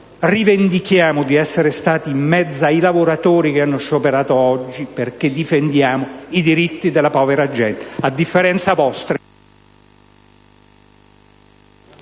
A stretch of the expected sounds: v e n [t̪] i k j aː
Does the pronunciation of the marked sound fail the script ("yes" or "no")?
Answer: yes